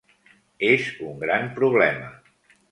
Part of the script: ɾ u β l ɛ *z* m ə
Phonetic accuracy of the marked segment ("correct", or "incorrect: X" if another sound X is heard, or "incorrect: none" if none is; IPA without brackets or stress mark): incorrect: none